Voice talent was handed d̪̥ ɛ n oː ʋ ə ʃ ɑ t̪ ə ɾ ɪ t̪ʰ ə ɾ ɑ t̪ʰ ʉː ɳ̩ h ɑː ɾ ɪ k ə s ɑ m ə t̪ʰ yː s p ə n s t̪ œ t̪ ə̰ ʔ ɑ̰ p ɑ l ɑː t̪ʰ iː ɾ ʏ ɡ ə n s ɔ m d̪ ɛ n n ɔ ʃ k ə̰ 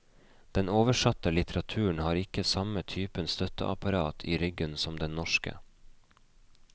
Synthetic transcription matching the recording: d̪̥ ɛ n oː ʋ ə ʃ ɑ t̪ ə l ɪ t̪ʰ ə ɾ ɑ t̪ʰ ʉː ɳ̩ h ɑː ɾ ɪ k ə s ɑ m ə t̪ʰ yː p ə n s t̪ œ t̪ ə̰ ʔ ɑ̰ p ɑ ɾ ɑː t̪ʰ iː ɾ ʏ ɡ ə n s ɔ m d̪ ɛ n n ɔ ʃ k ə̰